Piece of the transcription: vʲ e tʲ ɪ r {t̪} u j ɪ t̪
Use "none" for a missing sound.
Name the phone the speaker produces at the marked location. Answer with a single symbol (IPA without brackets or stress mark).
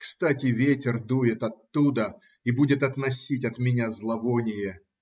d̪